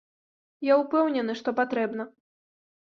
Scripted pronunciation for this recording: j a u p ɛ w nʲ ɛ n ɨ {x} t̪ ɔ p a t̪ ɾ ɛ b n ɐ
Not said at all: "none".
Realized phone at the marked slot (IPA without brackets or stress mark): ʂ